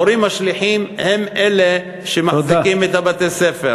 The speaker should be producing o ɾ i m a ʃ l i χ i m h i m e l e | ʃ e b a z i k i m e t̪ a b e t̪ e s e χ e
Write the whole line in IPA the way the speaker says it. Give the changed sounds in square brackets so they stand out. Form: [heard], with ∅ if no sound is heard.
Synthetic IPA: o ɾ i m a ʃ l i [ħ] i m h [e] m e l e | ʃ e [m] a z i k i m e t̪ a b [a] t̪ e s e [f] e

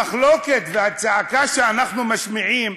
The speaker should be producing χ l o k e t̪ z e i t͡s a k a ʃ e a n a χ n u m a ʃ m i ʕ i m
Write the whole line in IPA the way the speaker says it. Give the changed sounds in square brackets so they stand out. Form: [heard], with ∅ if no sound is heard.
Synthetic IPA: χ l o k e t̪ [v] e [a] t͡s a k a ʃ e a n a χ n u m a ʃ m i ʕ i m

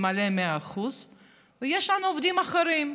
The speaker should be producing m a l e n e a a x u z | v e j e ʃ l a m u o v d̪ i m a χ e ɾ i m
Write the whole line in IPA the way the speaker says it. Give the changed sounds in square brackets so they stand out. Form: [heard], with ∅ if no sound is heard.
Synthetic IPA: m a l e [m] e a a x u z | v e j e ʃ l a [n] u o v d̪ i m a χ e ɾ i m

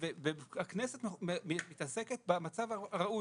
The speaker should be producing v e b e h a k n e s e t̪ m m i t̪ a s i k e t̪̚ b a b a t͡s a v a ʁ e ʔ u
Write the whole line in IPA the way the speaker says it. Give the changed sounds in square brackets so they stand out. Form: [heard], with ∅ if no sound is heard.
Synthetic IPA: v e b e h a k n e s e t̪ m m i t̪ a s [e] k e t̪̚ b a [m] a t͡s a v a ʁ [a] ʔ u

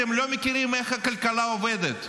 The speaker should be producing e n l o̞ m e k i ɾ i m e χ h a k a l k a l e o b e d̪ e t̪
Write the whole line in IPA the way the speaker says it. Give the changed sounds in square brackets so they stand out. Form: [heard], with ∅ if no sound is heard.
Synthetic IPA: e [m] l o̞ m e k i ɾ i m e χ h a k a l k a l [a] o [v] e d̪ e t̪

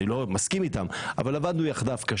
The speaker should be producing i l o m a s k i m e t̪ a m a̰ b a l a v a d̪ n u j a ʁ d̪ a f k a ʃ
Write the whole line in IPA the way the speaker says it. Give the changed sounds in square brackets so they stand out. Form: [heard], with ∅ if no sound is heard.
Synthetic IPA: i l o m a s k i m [i] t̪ a m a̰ [v] a l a v a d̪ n u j a [χ] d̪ a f k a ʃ

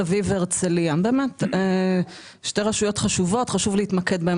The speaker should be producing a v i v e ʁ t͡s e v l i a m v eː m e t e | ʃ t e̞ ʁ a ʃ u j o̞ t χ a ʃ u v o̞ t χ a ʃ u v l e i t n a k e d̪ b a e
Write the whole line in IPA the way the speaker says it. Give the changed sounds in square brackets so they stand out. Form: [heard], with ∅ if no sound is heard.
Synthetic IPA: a v i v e ʁ t͡s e [∅] l i a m [b] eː m e t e | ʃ t e̞ ʁ a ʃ u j o̞ t χ a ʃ u v o̞ t χ a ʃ u v l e i t [m] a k e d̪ b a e

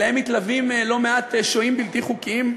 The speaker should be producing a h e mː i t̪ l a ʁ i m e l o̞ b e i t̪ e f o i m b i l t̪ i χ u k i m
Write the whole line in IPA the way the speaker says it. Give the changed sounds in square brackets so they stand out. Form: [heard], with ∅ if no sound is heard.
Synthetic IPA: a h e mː i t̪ l a [v] i m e l o̞ [m] e [a] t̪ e [ʃ] o i m b i l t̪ i χ u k i m

